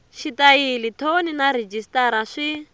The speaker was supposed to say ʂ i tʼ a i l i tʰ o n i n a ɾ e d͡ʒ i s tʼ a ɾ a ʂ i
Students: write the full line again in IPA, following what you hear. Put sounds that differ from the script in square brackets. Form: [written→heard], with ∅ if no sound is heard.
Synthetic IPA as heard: [ʂ→ʃ] i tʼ a i l i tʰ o n i n a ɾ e d͡ʒ i s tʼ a ɾ a ʂ i